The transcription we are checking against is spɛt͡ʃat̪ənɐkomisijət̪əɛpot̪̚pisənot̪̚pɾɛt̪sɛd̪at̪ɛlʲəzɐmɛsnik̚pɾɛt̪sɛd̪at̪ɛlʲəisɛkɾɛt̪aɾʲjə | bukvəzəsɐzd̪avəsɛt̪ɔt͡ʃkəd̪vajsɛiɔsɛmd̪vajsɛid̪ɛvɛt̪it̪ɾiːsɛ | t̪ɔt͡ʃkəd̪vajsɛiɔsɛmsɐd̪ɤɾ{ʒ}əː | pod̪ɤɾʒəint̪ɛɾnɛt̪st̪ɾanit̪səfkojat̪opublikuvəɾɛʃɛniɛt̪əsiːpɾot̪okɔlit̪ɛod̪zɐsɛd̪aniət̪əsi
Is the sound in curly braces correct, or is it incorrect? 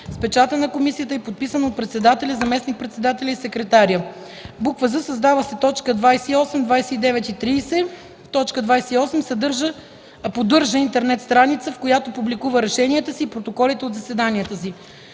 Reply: correct